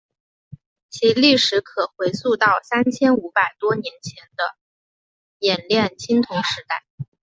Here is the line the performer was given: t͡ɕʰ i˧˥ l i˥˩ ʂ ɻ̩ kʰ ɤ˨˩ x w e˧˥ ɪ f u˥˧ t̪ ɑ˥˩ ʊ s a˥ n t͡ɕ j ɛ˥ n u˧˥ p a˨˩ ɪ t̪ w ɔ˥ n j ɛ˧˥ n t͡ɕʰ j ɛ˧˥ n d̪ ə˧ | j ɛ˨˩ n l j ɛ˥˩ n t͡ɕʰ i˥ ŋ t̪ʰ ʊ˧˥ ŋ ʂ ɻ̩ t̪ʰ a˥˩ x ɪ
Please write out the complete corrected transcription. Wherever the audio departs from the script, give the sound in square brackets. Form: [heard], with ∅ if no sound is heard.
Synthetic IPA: t͡ɕʰ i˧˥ l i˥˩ ʂ ɻ̩ kʰ ɤ˨˩ x w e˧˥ ɪ [s] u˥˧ t̪ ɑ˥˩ ʊ s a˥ n [t͡ɕʰ] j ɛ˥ n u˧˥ p a˨˩ ɪ t̪ w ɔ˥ n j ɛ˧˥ n t͡ɕʰ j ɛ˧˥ n d̪ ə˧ | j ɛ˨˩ n l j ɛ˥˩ n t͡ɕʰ i˥ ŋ t̪ʰ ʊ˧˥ ŋ ʂ ɻ̩ [t̪] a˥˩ [∅] ɪ